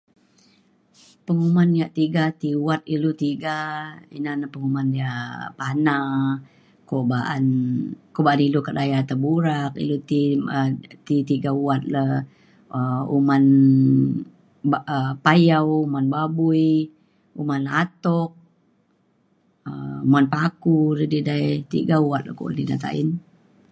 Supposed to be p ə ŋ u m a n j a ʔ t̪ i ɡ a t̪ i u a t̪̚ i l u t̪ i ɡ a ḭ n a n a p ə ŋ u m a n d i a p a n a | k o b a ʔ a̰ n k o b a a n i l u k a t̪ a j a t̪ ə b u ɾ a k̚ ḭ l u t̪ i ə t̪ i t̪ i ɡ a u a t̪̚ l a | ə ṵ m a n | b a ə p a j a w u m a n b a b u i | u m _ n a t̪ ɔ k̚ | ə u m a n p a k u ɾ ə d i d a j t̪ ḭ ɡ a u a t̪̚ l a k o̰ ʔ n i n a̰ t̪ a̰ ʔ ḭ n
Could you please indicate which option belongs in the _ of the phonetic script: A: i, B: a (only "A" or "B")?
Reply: B